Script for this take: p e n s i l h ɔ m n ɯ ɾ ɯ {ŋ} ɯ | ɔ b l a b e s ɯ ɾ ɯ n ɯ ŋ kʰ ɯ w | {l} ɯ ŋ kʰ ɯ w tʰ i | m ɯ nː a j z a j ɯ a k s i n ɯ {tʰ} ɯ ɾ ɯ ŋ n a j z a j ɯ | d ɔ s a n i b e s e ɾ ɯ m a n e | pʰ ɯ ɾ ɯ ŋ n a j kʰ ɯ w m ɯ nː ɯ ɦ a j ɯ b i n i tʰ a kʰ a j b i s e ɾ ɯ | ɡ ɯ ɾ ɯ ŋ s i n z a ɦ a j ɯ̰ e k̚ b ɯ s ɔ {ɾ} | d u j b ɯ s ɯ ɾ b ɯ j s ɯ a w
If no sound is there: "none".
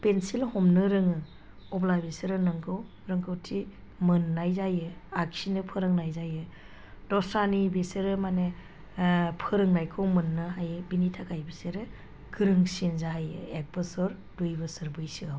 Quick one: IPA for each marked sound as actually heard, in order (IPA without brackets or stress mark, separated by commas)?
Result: ŋ, ɾ, pʰ, ɾ